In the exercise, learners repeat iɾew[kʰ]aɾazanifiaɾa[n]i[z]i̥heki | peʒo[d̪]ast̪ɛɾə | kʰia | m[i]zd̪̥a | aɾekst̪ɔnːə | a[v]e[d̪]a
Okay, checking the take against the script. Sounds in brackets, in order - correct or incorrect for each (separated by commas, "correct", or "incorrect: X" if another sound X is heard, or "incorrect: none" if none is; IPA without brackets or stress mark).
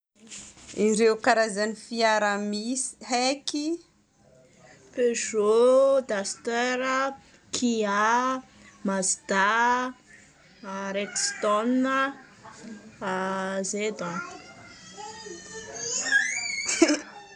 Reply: incorrect: k, incorrect: m, incorrect: s, correct, incorrect: a, incorrect: z, correct